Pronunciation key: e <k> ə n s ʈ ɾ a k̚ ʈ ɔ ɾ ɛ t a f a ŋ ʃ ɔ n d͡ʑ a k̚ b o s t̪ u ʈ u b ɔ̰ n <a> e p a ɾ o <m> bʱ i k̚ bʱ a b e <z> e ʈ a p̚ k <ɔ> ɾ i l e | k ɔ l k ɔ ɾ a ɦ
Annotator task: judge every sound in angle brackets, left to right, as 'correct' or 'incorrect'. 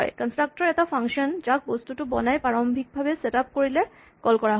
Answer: correct, correct, correct, incorrect, incorrect

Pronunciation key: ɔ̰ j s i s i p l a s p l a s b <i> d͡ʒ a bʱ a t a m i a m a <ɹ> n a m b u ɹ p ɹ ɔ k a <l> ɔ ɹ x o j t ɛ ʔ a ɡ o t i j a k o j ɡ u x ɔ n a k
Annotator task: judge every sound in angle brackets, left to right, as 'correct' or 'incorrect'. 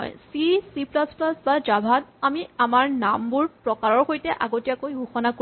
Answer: incorrect, correct, incorrect

